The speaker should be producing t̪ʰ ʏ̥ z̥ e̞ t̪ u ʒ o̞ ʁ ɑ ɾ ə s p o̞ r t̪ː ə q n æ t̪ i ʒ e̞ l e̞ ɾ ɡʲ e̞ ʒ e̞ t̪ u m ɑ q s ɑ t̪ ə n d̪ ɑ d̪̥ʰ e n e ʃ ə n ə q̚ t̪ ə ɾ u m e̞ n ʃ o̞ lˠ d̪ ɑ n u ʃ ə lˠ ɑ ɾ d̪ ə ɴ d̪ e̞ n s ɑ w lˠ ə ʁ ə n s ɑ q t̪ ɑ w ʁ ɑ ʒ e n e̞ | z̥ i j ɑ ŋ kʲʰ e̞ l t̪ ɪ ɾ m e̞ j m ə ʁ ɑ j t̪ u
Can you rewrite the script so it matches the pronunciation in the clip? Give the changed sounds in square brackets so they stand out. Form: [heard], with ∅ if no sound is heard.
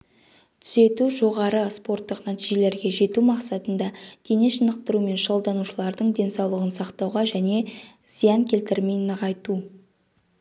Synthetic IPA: t̪ʰ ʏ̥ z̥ e̞ t̪ u ʒ o̞ ʁ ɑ ɾ ə s p o̞ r t̪ː ə q n æ t̪ i ʒ e̞ l e̞ ɾ ɡʲ e̞ ʒ e̞ t̪ u m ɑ q s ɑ t̪ ə n d̪ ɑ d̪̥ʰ e n e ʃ ə n ə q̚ t̪ ə ɾ u m e̞ n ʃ o̞ lˠ d̪ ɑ n u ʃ ə lˠ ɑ ɾ d̪ ə ɴ d̪ e̞ n s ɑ w lˠ ə ʁ ə n s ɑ q t̪ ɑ w ʁ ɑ ʒ [æ] n e̞ | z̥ i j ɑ ŋ kʲʰ e̞ l t̪ ɪ ɾ m e̞ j [n] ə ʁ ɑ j t̪ u